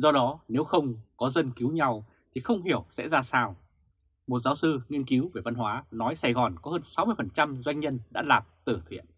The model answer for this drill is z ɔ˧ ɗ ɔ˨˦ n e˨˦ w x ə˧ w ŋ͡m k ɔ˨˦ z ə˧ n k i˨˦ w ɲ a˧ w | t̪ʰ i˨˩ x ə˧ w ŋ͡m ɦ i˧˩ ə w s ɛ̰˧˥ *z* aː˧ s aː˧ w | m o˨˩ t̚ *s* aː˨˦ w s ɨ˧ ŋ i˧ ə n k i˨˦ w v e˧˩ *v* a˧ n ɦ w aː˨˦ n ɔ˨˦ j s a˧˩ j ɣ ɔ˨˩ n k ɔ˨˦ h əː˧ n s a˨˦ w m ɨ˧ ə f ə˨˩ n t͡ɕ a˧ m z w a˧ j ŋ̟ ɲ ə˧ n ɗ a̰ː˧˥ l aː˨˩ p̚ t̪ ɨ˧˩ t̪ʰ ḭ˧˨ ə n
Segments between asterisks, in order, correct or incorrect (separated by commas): correct, incorrect, correct